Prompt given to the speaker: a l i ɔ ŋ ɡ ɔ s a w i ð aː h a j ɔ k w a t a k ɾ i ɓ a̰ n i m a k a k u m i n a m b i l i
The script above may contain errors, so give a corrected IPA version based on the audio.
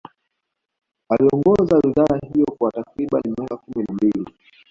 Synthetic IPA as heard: a l i ɔ ŋ ɡ ɔ z a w i ð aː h i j ɔ k w a t a k ɾ i ɓ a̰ n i m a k a k u m i n a m b i l i